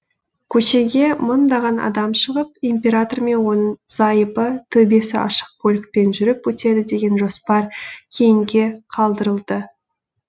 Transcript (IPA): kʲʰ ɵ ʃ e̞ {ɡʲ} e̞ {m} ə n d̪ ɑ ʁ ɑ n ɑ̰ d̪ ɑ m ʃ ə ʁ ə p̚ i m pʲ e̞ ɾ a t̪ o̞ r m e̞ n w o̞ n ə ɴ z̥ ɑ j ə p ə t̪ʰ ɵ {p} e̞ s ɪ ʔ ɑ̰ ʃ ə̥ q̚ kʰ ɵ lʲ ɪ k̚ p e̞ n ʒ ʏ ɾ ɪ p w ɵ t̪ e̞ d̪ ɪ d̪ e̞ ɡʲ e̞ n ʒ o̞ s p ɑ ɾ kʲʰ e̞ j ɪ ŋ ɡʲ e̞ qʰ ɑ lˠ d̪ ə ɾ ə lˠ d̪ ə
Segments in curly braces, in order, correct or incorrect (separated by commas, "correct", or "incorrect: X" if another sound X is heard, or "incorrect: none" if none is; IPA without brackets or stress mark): correct, correct, incorrect: b